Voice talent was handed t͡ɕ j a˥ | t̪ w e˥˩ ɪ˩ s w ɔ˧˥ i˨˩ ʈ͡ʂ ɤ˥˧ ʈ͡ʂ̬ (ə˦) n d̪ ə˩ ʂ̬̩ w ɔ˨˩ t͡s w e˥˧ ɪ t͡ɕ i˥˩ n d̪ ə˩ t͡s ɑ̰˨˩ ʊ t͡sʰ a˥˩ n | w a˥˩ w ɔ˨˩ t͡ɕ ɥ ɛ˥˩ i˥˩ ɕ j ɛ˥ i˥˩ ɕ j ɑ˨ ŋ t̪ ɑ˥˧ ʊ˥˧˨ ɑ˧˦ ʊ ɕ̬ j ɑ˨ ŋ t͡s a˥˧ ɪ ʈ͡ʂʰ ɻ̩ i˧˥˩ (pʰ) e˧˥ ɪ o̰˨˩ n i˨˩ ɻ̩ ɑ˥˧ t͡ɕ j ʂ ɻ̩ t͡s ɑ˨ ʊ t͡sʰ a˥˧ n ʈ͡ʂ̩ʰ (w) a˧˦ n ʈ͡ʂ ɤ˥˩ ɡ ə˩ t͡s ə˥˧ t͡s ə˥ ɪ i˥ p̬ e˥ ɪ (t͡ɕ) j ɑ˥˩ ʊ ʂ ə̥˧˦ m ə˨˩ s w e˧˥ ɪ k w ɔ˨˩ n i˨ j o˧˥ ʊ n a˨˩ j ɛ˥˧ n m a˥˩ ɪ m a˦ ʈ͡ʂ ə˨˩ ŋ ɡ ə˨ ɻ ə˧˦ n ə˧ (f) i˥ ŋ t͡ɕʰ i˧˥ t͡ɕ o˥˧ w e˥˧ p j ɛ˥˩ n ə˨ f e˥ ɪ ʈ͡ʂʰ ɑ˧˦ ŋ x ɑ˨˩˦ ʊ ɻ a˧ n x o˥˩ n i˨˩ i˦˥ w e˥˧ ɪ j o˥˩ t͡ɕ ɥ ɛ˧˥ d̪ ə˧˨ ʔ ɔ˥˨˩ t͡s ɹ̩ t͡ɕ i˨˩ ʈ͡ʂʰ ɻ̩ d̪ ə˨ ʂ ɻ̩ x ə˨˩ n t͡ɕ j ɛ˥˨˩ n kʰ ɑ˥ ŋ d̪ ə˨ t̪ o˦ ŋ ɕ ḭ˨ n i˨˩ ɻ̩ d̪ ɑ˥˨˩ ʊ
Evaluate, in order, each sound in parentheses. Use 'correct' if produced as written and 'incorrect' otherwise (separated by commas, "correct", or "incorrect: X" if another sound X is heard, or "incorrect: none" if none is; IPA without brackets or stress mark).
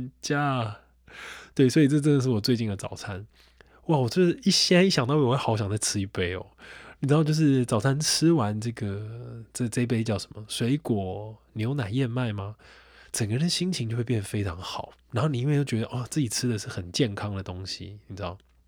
incorrect: ə˥˩, incorrect: p, correct, correct, incorrect: ɕ